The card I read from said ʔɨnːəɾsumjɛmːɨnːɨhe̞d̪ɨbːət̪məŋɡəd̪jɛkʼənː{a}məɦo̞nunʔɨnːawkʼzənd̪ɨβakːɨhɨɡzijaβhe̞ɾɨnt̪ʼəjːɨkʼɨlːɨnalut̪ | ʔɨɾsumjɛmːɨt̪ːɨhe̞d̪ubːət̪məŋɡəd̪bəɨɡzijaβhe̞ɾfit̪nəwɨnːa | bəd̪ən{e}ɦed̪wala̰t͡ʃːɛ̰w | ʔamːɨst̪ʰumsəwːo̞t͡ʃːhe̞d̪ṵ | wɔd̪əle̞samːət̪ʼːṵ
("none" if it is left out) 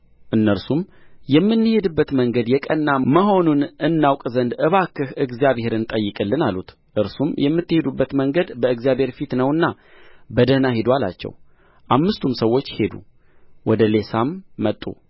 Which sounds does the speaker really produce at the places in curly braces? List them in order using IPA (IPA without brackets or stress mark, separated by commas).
a, a